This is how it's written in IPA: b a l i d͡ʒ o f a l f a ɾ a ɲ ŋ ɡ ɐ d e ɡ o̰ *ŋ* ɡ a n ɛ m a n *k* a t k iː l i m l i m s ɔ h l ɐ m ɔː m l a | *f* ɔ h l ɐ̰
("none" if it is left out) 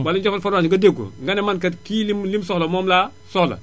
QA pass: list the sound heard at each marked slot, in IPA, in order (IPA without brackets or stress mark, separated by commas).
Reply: ŋ, k, s